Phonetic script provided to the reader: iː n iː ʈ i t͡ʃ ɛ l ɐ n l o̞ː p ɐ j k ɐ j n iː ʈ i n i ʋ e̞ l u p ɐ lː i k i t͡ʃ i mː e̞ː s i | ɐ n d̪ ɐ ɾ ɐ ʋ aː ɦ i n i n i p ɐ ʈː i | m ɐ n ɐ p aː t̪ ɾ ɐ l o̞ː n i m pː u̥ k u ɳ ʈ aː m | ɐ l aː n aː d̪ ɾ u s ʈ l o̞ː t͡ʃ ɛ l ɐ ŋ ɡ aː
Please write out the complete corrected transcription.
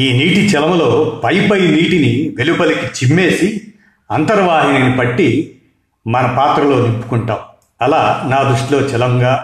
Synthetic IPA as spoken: iː n iː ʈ i t͡ʃ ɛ l ɐ m l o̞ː p ɐ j p ɐ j n iː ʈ i n i ʋ e̞ l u p ɐ l i k i t͡ʃ i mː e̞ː s i | ɐ n t̪ ɐ ɾ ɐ ʋ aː ɦ i n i n i p ɐ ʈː i | m ɐ n ɐ p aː t̪ ɾ ɐ l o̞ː n i m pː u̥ k u ɳ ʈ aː m | ɐ l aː n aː d̪ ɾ u ʂ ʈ l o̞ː t͡ʃ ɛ l ɐ ŋ ɡ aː